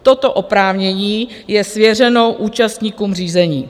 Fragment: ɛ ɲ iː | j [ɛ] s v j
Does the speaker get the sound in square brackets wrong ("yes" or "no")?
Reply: no